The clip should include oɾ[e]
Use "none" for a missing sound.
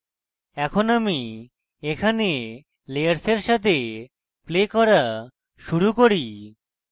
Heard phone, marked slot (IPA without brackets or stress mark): i